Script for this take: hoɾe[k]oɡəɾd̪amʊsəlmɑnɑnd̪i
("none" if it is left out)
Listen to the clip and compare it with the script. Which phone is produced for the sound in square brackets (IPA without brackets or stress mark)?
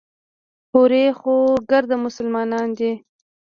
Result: x